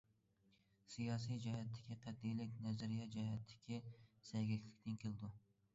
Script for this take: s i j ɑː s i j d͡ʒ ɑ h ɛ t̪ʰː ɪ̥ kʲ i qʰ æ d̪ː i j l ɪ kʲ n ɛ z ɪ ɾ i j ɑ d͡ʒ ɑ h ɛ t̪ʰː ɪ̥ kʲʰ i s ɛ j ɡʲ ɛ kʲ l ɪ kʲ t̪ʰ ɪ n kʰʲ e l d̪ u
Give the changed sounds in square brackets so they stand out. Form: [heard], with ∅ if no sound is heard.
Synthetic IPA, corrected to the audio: s i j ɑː s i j d͡ʒ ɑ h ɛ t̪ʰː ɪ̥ kʲ i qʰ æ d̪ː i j l ɪ kʲ n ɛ z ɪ ɾ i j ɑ d͡ʒ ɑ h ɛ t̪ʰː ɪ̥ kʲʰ i s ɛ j ɡʲ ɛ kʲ l ɪ kʲ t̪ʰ ɪ n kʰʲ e l d̪ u